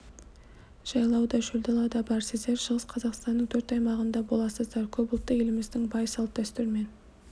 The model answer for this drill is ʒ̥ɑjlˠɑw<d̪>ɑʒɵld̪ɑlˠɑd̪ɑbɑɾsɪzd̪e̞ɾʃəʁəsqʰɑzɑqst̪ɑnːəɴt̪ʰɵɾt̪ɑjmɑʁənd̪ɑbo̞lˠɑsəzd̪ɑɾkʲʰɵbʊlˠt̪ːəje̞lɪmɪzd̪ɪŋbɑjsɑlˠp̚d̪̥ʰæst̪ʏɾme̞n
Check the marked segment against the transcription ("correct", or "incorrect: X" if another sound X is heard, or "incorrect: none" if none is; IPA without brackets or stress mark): correct